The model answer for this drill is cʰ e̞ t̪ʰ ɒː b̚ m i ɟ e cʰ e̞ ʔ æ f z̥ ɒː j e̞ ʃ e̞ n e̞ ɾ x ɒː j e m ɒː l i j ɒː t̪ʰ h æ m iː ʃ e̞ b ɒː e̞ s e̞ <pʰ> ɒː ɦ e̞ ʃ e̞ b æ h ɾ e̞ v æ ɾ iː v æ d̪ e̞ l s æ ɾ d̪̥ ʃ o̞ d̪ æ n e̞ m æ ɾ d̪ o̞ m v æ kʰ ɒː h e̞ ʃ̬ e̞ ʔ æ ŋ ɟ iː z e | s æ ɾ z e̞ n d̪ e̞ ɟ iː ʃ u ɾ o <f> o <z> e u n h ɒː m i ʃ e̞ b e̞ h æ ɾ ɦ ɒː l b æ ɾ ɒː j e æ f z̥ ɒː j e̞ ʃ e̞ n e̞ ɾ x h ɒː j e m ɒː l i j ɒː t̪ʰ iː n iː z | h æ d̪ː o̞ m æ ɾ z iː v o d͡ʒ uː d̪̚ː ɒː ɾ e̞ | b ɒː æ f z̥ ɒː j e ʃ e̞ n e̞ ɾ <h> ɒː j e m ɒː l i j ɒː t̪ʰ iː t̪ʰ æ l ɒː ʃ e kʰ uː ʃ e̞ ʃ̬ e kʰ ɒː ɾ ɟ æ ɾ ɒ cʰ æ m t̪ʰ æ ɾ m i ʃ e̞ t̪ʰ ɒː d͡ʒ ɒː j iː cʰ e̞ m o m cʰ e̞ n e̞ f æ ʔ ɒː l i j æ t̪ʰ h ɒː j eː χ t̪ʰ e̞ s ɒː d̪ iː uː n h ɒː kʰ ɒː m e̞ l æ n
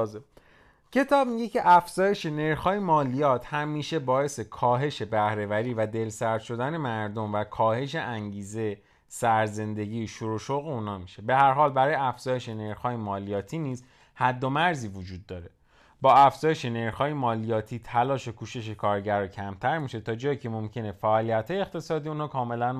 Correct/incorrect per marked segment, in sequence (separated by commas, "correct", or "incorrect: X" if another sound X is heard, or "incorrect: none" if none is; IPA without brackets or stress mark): incorrect: kʰ, incorrect: ʃ, incorrect: ɣ, incorrect: x